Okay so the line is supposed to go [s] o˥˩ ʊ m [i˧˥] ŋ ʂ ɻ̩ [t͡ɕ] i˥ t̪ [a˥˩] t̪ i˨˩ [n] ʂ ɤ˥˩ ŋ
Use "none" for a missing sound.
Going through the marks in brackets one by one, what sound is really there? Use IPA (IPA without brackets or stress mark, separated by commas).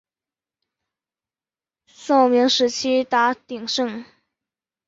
s, i˧˥, t͡ɕʰ, a˧˥, ŋ